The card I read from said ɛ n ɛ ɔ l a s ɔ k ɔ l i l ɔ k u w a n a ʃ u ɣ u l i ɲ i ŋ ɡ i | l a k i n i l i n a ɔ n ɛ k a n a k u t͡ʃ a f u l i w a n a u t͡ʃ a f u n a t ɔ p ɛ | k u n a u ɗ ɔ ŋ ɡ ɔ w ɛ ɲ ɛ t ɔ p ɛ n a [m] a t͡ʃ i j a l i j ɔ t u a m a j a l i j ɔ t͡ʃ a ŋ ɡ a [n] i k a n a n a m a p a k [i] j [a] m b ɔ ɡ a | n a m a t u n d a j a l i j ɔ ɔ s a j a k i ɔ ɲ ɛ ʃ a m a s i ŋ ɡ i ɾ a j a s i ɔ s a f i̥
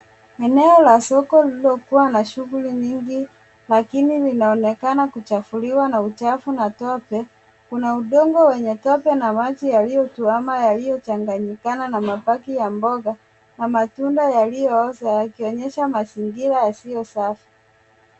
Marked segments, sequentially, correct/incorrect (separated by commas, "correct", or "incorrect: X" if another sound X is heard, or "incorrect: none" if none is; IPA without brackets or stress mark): correct, incorrect: ɲ, correct, correct